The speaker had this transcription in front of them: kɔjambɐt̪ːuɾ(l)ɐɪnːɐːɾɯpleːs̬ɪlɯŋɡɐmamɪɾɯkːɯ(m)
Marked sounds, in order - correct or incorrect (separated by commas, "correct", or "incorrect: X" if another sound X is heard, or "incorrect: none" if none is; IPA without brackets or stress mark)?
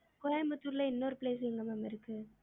correct, incorrect: none